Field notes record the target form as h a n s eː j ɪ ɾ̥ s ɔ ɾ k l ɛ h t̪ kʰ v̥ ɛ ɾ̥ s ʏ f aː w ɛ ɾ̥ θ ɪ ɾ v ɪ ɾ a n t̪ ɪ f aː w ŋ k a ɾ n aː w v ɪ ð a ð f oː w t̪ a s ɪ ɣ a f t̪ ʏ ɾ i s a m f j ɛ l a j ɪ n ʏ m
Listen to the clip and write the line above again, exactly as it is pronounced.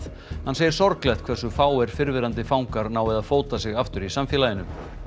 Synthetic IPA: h a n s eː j ɪ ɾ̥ s ɔ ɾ k l ɛ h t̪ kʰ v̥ ɛ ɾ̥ s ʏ f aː w ɛ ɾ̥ f ɪ ɾ v ɪ ɾ a n t̪ ɪ f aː w ŋ k a ɾ n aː w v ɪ ð a ð f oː w t̪ a s ɪ ɣ a f t̪ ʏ ɾ i s a m f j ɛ l a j ɪ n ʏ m